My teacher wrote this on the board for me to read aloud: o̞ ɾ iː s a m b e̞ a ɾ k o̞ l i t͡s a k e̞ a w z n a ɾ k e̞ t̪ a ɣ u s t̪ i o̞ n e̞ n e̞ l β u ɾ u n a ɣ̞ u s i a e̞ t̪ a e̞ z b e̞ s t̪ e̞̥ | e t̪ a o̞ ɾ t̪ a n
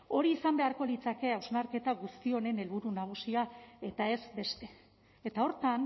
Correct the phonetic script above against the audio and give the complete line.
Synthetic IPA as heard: o̞ ɾ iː s a m b e̞ a ɾ k o̞ l i t͡s a k e̞ a w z n a ɾ k e̞ t̪ a ɣ u s t̪ i o̞ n e̞ n e̞ l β u ɾ u n a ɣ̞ u s i a e̞ t̪ a e̞ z b e̞ s t̪ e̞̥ | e t̪ a o̞ ɾ t̪ a n